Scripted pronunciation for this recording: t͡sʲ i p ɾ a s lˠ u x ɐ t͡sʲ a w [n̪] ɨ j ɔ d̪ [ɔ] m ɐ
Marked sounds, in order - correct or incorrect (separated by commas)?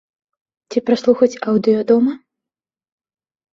incorrect, correct